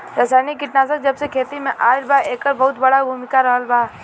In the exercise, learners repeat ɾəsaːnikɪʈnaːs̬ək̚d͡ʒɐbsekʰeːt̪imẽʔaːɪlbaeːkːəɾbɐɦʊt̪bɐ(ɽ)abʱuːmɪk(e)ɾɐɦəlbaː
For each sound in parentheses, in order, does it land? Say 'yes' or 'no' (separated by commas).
yes, no